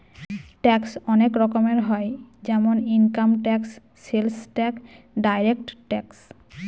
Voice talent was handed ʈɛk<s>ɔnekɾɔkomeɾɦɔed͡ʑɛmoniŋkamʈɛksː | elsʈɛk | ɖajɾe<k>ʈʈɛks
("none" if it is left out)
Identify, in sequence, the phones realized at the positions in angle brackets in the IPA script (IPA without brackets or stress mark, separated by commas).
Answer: s, k